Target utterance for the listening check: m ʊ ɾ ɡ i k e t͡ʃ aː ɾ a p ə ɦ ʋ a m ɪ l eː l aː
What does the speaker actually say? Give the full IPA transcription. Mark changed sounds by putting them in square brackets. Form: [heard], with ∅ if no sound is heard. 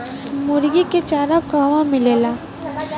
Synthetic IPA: m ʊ ɾ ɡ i k e t͡ʃ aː ɾ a [k] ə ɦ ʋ a m ɪ l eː l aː